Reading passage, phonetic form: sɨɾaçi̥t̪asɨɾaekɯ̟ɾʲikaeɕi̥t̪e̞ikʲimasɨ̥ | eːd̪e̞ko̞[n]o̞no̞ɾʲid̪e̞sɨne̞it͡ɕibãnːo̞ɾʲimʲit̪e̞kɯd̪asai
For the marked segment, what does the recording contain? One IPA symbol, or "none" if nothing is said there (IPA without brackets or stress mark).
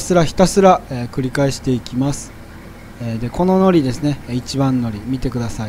n